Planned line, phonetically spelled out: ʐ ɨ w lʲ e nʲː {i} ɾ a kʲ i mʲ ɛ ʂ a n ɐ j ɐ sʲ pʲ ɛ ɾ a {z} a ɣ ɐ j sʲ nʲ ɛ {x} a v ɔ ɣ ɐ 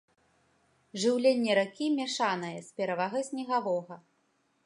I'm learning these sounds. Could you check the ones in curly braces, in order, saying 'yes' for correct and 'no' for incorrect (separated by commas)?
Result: no, no, no